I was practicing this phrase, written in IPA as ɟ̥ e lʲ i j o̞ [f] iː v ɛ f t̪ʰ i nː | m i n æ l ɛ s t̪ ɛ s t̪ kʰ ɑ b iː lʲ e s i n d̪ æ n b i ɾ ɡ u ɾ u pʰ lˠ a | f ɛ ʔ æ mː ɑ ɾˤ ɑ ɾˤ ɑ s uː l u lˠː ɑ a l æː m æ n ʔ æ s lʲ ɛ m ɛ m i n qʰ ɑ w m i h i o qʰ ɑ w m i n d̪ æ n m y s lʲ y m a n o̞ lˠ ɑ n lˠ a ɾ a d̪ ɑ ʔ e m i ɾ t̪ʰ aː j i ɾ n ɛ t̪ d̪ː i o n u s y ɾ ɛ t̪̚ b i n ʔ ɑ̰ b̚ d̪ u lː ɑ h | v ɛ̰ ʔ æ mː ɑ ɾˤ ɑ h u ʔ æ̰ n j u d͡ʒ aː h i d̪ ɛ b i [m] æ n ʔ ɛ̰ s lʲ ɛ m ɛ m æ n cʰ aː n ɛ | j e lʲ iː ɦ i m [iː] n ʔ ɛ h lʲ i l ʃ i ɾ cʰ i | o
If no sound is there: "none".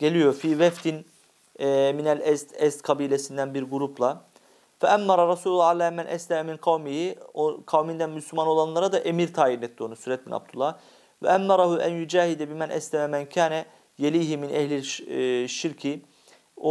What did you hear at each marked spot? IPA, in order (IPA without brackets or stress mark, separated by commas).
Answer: f, m, i